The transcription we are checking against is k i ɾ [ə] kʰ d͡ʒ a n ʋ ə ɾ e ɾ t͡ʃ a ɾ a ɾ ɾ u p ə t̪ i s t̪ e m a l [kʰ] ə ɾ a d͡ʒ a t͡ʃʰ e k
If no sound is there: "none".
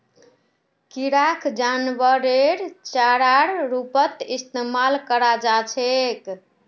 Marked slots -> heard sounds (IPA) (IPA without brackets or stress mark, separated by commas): a, k